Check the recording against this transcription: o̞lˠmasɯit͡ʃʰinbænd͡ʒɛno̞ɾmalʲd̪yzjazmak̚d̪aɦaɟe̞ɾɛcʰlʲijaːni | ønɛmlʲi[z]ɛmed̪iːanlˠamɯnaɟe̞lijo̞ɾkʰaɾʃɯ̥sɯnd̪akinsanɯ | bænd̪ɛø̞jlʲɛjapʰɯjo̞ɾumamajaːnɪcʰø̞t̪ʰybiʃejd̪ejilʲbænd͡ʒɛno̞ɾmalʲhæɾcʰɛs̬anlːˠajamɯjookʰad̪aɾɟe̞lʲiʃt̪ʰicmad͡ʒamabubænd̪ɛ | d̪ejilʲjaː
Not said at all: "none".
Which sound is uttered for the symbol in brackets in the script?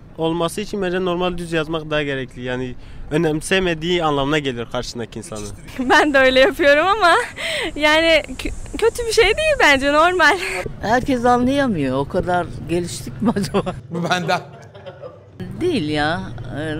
s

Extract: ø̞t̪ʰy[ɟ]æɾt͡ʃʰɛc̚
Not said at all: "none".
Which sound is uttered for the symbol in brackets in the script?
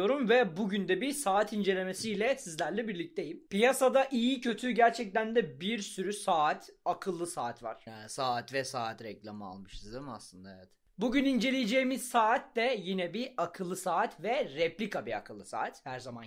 ɟ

